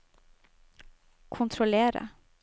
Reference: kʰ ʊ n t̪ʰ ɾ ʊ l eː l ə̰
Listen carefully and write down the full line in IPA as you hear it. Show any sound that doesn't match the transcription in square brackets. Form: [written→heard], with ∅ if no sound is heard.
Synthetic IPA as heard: kʰ ʊ n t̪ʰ ɾ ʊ l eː [l→ɾ] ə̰